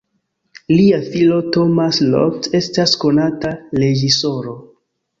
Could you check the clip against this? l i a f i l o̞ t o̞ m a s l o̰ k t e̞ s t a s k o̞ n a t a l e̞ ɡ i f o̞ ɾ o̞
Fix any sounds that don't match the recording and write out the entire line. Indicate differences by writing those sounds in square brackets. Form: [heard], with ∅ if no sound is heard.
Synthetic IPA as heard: l i a f i l o̞ t o̞ m a s l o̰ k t e̞ s t a s k o̞ n a t a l e̞ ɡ i [s] o̞ ɾ o̞